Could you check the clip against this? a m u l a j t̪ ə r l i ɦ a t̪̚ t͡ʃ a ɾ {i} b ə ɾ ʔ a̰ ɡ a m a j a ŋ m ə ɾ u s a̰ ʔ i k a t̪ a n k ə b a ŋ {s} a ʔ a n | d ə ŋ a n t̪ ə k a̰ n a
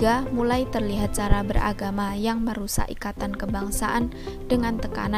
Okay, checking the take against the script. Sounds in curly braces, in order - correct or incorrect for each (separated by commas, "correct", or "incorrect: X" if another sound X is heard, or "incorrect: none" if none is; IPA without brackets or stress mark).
incorrect: a, correct